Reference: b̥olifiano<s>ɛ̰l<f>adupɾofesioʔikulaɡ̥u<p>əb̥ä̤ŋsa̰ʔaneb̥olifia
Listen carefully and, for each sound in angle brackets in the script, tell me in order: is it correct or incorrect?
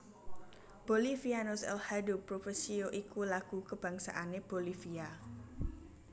correct, incorrect, incorrect

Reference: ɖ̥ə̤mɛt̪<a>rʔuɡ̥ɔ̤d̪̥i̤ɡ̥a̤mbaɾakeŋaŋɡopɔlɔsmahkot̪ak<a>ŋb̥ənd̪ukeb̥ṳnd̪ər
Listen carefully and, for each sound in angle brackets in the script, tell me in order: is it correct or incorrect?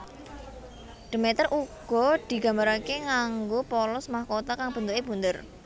incorrect, correct

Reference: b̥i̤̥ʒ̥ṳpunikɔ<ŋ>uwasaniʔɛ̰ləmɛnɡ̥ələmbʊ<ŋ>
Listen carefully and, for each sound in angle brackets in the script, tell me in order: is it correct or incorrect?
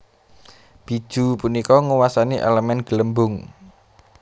correct, correct

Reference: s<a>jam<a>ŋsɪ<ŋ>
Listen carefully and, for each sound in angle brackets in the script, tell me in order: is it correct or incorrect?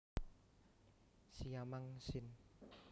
incorrect, correct, incorrect

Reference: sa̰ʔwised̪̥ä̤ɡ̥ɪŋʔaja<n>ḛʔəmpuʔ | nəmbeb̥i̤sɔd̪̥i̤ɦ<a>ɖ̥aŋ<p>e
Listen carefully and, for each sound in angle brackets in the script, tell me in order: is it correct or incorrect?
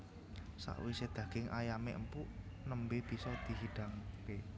incorrect, incorrect, incorrect

